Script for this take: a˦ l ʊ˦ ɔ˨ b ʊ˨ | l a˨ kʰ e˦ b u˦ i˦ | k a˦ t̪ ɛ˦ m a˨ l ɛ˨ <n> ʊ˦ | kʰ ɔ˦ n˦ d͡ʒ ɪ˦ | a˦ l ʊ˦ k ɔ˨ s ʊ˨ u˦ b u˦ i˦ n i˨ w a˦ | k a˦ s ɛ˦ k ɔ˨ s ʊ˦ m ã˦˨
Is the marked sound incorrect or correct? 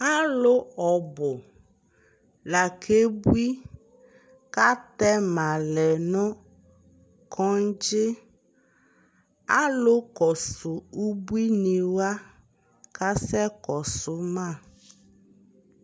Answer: correct